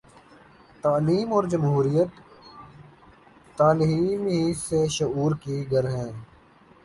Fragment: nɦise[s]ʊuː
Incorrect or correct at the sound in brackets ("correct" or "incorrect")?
incorrect